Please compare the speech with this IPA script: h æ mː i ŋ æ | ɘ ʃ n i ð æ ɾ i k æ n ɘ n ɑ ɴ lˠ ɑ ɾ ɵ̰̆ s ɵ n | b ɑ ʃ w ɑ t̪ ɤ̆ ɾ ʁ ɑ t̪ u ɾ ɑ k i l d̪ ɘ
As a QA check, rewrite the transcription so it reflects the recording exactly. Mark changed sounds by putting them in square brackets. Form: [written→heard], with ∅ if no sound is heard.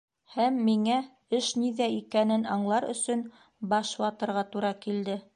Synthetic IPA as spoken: h æ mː i ŋ æ | ɘ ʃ n i ð æ [ɾ→∅] i k æ n ɘ n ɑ ɴ lˠ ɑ ɾ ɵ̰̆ s ɵ n | b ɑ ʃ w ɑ t̪ ɤ̆ ɾ ʁ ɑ t̪ u ɾ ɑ k i l d̪ ɘ